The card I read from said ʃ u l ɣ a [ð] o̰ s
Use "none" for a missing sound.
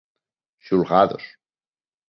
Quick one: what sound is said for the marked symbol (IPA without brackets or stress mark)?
ð